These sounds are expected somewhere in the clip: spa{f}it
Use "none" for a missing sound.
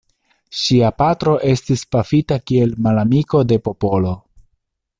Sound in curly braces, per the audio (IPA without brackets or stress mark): f